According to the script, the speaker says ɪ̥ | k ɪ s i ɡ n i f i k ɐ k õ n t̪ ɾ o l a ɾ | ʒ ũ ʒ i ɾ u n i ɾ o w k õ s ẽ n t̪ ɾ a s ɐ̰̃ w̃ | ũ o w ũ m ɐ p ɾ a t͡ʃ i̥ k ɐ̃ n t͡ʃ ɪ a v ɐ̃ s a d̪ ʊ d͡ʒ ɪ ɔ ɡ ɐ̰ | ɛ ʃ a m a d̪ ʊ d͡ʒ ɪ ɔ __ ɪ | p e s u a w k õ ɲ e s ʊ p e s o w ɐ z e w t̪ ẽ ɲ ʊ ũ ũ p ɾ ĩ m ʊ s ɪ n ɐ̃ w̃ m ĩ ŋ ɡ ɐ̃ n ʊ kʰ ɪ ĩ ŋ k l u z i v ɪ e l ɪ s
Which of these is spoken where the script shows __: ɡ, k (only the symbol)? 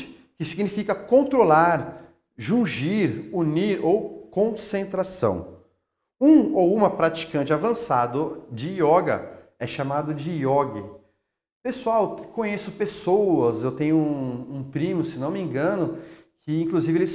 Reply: ɡ